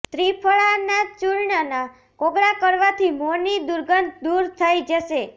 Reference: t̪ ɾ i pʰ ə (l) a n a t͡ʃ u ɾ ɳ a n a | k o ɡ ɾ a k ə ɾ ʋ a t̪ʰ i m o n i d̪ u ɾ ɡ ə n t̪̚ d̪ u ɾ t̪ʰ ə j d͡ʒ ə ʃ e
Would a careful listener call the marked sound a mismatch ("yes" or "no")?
yes